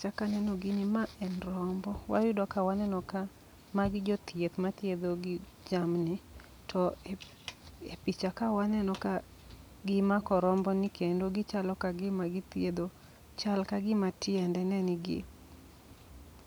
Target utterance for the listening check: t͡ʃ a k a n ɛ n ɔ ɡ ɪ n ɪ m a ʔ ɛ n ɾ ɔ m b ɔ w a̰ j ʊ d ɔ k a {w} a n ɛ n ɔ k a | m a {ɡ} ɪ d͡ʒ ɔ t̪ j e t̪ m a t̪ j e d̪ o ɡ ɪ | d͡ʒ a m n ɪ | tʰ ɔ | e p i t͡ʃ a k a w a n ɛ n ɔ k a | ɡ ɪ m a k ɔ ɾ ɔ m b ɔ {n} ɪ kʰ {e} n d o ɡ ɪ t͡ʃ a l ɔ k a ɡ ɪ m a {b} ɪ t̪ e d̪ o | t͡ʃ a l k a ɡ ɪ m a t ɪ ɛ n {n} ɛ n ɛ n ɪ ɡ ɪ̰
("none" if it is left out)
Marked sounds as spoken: w, ɡ, n, e, ɡ, d

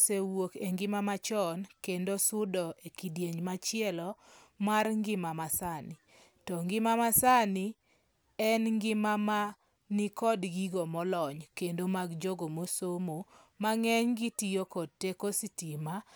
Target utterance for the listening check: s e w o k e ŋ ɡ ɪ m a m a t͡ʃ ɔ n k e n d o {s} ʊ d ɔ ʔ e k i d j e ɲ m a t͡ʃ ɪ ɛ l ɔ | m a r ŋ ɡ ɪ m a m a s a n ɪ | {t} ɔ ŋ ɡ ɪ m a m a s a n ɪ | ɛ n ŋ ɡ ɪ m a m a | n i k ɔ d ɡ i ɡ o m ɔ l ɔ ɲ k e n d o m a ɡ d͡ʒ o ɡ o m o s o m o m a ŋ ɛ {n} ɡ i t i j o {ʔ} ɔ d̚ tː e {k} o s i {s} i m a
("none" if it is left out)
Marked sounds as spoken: s, t, ɲ, k, k, t

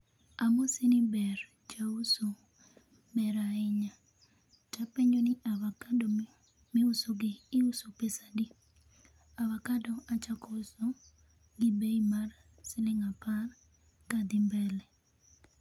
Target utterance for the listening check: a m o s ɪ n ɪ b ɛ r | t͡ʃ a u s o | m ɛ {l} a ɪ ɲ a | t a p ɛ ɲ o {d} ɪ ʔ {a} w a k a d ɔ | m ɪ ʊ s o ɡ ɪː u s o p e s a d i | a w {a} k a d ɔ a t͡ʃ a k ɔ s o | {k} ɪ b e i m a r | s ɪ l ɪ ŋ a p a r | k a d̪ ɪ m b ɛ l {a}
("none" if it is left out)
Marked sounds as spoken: ɾ, n, a, a, ɡ, ɛ

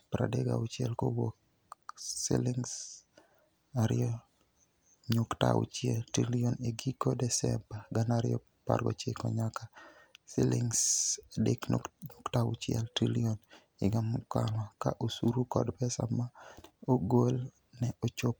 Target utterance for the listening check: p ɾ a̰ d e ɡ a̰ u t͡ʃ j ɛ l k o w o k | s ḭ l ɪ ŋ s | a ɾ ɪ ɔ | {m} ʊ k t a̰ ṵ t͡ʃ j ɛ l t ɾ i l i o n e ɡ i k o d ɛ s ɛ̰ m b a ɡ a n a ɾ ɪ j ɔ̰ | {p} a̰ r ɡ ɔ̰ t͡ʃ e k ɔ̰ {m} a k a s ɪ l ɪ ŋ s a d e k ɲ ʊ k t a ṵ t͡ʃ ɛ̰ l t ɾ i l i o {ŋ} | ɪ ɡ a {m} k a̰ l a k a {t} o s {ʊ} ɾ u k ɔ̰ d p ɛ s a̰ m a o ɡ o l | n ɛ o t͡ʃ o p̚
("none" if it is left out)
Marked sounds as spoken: ɲ, p, ɲ, n, m, ʔ, u

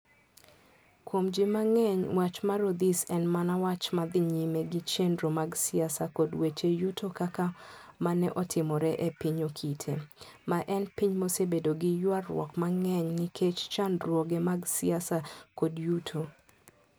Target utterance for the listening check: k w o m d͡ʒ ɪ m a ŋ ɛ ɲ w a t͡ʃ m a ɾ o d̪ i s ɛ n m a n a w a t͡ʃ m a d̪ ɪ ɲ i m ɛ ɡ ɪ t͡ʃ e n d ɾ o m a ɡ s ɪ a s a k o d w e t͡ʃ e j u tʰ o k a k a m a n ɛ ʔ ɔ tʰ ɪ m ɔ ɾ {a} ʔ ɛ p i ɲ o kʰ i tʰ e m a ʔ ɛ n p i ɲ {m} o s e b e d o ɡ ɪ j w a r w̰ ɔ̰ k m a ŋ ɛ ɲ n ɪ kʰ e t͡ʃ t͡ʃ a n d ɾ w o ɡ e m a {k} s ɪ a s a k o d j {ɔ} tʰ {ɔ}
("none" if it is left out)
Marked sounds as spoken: ɛ, m, ɡ, u, o

